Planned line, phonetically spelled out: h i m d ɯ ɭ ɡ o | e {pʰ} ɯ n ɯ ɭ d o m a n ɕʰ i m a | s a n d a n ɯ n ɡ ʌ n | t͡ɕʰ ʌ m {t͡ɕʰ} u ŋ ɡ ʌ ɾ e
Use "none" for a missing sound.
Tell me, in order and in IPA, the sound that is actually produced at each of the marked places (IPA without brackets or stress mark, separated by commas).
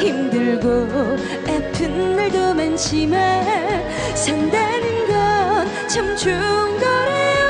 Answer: pʰ, t͡ɕ